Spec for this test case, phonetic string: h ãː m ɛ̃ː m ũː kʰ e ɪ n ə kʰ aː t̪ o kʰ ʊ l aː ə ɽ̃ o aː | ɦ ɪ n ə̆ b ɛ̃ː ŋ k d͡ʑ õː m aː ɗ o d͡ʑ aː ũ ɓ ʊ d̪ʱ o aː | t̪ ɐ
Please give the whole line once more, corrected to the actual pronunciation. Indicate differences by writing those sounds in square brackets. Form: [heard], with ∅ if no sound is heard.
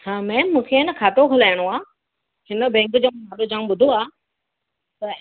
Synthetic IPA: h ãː m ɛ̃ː m ũː kʰ e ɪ n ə kʰ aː t̪ o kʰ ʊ l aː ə ɽ̃ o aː | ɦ ɪ n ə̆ b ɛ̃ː ŋ k d͡ʑ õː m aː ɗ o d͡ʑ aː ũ ɓ ʊ d̪ʱ o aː | t̪ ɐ